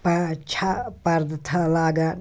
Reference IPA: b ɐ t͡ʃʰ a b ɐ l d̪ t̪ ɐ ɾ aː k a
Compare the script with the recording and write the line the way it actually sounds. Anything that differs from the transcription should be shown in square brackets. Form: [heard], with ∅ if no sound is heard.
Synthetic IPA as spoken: [p] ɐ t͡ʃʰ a [p] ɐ [ɾ] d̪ [t̪ʰ] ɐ [l] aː [ɡ] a